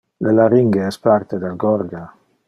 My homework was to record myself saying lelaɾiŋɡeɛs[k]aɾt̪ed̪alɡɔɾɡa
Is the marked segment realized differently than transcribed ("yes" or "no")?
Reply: yes